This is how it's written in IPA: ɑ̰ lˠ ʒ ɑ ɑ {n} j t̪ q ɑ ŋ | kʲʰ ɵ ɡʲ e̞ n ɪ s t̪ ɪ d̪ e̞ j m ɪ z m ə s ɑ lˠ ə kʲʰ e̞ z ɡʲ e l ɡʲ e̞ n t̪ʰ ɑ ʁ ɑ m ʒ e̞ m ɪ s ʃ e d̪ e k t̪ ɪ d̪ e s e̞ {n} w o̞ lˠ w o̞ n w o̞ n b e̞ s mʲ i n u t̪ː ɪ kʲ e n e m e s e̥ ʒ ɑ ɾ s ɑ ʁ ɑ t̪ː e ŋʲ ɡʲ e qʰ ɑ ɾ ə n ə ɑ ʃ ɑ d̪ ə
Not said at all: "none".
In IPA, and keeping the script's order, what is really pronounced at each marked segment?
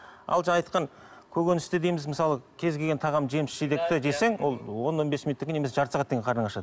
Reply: none, ŋ

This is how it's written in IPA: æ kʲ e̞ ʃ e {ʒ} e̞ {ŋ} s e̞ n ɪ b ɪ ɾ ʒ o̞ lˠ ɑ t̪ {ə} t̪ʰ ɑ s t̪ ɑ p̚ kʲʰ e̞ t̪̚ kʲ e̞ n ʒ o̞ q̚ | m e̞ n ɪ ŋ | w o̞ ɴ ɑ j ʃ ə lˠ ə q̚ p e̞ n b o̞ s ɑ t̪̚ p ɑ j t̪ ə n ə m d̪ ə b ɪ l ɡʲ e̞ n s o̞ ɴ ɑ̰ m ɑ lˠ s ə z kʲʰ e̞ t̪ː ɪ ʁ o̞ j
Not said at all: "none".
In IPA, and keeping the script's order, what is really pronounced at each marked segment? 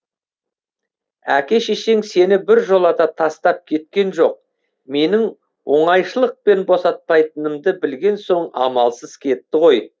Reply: ʃ, ŋ, ɑ

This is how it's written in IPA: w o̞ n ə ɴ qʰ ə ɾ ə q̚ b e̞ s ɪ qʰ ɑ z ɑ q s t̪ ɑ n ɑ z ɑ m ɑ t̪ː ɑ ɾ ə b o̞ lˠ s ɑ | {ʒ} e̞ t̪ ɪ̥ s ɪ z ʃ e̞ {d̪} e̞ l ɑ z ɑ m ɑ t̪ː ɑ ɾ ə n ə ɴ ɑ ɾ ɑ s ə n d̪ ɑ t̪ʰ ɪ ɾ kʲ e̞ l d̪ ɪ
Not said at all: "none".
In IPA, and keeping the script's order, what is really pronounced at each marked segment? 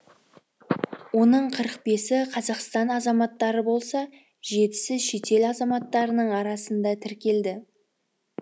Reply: ʒ, t̪

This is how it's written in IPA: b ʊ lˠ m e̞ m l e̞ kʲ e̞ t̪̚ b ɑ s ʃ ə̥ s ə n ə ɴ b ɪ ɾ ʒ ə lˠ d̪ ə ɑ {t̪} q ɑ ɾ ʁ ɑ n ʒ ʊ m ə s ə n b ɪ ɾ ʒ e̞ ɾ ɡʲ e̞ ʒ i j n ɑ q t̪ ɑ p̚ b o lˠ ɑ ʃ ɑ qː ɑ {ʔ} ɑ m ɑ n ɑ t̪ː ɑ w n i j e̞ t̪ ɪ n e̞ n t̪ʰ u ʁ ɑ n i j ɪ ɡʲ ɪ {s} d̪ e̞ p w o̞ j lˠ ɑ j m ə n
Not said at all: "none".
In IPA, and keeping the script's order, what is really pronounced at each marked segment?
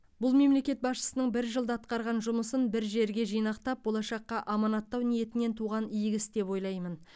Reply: t̪, ʔ, s

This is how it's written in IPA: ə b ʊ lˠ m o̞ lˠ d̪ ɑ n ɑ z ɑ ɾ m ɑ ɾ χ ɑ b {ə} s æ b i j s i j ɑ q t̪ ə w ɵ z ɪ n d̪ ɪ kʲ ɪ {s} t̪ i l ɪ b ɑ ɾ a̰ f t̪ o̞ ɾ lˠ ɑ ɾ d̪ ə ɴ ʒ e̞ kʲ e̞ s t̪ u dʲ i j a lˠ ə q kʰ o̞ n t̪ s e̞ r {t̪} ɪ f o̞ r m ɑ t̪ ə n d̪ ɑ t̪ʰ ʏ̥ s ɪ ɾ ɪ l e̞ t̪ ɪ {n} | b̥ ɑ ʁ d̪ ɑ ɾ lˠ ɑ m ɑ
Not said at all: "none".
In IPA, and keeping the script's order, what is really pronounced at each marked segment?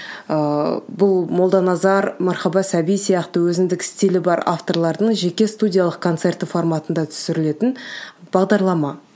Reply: ɑ, s, t̪, n

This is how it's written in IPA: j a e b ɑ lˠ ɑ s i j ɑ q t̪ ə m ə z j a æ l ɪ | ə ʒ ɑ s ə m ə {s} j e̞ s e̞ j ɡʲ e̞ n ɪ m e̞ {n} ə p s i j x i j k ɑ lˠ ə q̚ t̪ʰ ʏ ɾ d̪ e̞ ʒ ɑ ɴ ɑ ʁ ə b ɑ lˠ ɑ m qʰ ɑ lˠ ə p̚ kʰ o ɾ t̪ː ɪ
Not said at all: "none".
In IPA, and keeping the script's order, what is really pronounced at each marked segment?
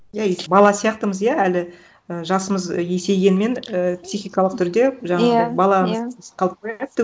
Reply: z, n

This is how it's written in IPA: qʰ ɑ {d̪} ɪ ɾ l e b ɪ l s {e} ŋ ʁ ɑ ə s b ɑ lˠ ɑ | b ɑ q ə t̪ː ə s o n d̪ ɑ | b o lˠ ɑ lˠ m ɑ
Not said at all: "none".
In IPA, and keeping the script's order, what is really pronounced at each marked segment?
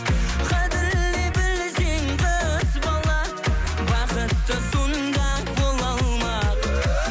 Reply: d̪, e

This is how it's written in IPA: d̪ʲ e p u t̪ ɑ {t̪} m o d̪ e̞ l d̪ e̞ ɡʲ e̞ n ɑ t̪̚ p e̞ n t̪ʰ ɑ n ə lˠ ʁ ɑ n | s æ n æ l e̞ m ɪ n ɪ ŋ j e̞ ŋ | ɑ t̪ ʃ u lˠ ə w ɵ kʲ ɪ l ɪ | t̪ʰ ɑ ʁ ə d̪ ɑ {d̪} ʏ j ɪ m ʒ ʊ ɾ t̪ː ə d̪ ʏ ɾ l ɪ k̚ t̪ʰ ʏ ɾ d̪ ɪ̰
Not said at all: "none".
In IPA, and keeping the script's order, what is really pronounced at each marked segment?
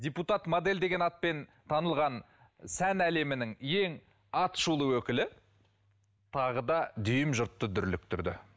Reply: t̪, d̪

